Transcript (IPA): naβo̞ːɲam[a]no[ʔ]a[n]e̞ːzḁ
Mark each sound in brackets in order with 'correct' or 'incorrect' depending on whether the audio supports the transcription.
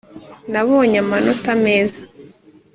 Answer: correct, incorrect: t, incorrect: m

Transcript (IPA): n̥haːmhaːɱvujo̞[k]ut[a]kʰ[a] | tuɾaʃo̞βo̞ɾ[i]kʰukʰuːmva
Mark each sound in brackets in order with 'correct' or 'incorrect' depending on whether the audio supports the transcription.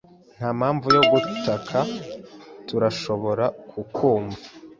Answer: incorrect: ɡ, correct, correct, incorrect: a

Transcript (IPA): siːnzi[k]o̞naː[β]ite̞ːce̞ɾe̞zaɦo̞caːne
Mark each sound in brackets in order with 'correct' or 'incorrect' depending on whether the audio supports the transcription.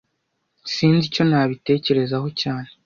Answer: incorrect: c, correct

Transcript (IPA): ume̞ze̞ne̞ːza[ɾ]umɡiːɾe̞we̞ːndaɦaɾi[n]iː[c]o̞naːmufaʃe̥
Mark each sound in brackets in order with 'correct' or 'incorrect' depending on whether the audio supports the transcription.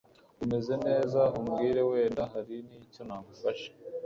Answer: incorrect: none, correct, correct

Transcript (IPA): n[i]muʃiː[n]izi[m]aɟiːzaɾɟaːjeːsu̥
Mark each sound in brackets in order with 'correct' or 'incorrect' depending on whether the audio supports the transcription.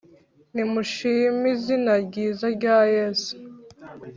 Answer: correct, incorrect: m, incorrect: n

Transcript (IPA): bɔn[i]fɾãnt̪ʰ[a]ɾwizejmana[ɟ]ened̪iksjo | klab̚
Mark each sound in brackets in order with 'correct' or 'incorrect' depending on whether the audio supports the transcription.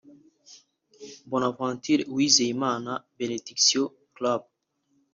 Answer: incorrect: a, incorrect: i, incorrect: b

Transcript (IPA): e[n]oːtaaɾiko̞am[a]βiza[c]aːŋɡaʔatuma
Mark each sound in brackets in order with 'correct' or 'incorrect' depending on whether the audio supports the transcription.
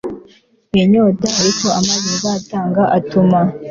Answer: incorrect: ɲ, correct, incorrect: t

